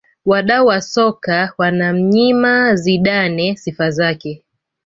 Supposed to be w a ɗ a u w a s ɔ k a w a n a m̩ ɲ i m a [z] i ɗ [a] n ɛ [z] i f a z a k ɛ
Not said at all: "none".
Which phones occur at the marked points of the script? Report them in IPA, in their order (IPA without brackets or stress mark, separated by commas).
z, a, s